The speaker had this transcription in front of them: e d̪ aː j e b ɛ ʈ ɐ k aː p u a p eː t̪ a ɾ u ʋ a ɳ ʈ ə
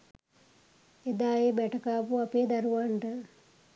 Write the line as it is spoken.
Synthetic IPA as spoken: e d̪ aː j e b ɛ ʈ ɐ k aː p u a p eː d̪ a ɾ u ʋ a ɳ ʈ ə